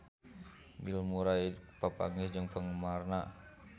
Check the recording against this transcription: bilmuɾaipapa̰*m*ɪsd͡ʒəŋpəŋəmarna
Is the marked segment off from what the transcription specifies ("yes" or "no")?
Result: yes